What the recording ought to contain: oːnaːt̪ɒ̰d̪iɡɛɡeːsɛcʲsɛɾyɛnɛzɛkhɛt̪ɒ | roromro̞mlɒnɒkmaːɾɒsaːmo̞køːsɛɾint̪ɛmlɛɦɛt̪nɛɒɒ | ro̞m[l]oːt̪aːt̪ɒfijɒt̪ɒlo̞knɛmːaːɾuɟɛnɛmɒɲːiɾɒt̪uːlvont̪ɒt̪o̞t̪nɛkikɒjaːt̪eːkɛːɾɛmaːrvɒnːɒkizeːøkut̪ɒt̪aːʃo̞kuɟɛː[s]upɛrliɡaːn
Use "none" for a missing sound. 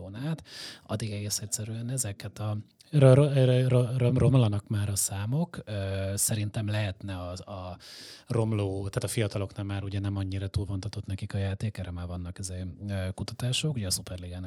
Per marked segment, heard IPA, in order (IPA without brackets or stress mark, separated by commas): l, s